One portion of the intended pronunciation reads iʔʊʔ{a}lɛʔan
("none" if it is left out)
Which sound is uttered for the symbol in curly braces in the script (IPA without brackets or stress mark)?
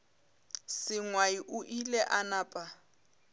i